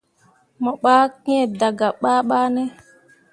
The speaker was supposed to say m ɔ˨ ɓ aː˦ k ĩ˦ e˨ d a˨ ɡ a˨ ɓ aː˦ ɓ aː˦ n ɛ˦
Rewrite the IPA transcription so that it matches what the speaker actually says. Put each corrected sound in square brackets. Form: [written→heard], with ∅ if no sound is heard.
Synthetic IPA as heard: m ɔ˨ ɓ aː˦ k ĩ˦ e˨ d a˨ ɡ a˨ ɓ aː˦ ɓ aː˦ n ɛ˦